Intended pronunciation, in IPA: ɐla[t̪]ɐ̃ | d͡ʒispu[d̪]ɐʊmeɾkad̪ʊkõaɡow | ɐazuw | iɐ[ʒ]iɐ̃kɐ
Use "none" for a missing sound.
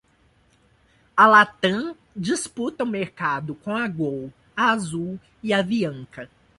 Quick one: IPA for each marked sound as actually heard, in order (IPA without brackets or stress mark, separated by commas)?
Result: t̪, t̪, v